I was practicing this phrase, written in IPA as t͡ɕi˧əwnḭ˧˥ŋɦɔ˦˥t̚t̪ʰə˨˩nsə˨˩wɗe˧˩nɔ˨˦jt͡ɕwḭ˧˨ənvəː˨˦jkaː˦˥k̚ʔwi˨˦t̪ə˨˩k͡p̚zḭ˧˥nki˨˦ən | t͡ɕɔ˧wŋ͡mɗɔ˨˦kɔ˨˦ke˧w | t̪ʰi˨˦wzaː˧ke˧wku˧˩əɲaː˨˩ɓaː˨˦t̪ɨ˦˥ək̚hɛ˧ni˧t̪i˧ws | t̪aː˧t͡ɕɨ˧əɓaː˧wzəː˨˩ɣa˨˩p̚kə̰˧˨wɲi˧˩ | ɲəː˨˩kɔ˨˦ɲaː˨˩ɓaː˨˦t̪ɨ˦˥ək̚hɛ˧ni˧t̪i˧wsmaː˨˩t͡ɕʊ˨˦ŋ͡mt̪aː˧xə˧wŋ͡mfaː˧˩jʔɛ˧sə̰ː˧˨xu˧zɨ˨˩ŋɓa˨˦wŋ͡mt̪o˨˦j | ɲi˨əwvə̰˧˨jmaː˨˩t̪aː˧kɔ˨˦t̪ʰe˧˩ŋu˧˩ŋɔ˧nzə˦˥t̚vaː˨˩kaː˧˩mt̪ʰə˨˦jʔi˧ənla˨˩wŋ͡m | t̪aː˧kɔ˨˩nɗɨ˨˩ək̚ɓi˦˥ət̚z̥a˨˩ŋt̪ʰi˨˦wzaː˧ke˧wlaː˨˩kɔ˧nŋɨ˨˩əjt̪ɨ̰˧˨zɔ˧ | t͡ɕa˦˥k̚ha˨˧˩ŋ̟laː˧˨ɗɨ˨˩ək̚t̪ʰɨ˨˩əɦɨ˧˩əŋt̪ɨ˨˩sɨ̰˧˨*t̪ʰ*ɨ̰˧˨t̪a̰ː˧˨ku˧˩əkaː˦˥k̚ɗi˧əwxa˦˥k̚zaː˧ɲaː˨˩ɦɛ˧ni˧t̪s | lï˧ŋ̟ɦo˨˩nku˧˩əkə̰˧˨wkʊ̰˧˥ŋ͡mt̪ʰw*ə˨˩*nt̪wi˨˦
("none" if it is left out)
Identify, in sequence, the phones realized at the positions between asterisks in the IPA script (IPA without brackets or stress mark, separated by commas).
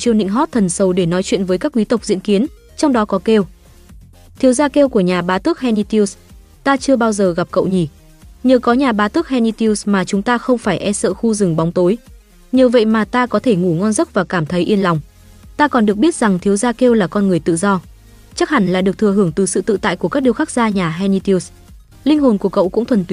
t̪, ə˨˩